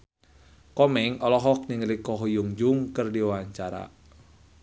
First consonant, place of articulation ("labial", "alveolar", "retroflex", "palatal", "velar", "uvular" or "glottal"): velar